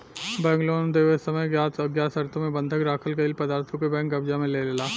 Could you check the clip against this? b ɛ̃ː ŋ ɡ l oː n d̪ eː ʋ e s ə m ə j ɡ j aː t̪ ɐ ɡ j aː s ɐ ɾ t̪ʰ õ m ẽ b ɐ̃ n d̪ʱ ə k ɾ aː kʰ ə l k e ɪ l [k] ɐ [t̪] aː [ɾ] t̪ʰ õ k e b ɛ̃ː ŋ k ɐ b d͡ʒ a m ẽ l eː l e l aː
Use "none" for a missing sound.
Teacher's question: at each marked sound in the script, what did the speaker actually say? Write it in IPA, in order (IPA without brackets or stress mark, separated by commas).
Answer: p, d̪, ɾ